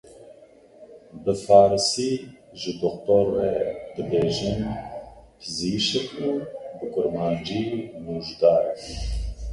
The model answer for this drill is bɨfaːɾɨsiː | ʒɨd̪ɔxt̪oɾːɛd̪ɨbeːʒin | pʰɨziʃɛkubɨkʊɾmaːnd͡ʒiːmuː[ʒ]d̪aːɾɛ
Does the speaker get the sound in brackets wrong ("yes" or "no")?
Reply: no